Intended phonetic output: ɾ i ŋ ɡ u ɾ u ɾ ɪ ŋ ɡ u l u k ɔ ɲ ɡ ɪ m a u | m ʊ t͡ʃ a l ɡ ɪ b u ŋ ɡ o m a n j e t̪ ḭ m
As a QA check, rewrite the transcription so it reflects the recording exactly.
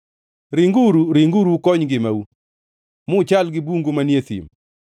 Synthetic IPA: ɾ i ŋ ɡ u ɾ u ɾ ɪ ŋ ɡ u ɾ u k ɔ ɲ ɡ ɪ m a u | m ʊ t͡ʃ a l ɡ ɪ b u ŋ ɡ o m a n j e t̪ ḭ m